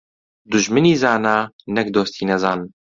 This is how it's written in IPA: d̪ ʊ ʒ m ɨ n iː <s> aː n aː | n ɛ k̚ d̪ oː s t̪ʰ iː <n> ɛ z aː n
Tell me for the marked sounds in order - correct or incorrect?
incorrect, correct

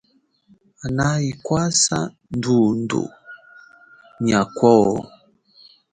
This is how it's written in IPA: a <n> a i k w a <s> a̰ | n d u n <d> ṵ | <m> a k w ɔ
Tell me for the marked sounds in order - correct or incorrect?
correct, correct, correct, incorrect

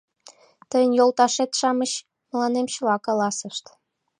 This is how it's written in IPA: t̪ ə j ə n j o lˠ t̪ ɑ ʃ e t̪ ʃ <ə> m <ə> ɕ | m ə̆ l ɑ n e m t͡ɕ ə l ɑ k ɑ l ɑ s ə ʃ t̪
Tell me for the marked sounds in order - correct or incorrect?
incorrect, correct

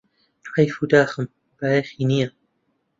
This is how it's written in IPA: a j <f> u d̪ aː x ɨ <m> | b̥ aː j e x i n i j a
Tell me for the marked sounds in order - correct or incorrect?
correct, correct

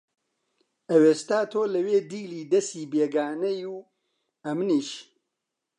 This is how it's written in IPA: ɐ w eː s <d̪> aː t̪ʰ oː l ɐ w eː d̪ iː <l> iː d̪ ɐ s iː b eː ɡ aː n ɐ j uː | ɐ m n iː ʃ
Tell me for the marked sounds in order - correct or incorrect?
incorrect, correct

